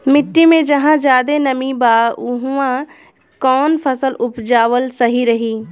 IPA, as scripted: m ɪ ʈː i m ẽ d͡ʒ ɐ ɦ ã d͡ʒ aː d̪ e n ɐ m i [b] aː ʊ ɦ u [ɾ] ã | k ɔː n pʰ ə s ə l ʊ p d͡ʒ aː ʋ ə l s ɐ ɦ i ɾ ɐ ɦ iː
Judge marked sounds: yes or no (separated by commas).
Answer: yes, no